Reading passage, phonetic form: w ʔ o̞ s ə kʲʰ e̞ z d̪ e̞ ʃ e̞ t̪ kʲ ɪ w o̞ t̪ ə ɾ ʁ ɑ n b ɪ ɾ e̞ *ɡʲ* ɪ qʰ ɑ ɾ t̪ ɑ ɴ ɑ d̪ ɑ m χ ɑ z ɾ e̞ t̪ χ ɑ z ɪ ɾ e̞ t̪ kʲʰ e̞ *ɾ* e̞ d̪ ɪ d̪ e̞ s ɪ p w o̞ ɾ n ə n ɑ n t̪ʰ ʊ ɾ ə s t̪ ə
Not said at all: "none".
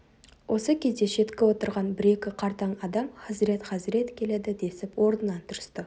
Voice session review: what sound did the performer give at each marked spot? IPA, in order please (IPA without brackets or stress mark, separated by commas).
kʲ, l